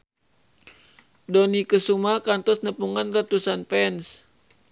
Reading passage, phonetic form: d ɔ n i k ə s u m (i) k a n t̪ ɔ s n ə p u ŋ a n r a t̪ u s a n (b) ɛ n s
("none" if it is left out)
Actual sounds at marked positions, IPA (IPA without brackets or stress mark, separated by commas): a, p